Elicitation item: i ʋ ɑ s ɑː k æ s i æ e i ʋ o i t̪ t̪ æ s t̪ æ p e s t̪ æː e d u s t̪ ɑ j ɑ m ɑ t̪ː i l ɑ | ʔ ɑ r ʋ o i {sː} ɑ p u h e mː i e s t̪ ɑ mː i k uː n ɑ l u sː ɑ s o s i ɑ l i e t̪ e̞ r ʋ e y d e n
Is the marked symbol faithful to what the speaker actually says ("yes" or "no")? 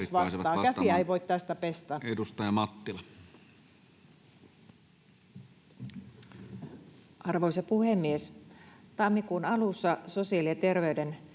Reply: no